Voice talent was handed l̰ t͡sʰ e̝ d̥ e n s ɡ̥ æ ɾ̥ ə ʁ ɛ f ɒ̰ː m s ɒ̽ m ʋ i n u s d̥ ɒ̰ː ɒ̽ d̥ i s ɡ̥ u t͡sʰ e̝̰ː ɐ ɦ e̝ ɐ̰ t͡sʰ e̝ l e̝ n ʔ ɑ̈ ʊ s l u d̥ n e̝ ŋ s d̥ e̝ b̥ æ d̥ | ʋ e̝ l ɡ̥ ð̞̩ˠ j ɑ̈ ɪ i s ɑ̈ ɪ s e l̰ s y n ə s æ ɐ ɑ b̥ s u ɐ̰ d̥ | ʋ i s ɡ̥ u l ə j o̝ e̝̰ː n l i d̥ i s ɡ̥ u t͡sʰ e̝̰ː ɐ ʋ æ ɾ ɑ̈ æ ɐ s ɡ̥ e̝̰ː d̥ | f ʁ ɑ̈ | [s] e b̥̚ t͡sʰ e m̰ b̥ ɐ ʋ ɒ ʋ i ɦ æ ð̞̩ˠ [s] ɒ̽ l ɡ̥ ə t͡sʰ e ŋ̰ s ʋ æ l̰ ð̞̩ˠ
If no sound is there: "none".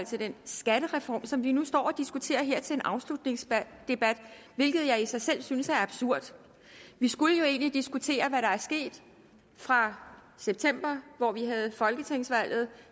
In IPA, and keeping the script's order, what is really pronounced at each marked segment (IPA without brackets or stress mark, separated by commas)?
s, f